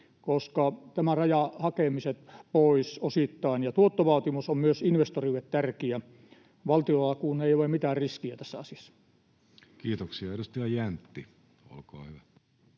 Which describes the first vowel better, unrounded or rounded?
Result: rounded